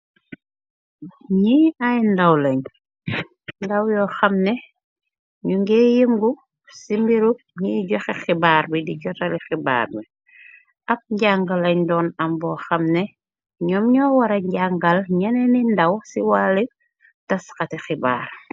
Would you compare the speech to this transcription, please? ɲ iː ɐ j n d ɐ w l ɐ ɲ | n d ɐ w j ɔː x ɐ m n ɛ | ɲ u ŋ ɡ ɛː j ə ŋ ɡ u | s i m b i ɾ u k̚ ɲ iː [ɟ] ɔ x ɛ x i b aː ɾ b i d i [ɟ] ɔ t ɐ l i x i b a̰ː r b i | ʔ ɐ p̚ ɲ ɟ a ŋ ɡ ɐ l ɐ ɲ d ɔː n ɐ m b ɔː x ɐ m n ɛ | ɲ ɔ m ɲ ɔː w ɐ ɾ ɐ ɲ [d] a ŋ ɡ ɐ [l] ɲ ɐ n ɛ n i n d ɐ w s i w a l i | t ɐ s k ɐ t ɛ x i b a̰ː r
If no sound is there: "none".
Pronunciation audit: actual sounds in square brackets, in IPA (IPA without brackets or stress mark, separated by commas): ɟ, ɟ, ɟ, l